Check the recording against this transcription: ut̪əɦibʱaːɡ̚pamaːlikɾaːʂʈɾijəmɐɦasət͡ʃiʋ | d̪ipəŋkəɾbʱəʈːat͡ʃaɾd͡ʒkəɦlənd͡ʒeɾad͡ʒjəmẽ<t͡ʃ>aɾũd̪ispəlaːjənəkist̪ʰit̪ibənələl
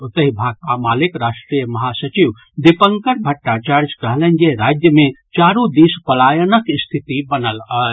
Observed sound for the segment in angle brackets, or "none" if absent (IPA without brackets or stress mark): t͡ʃ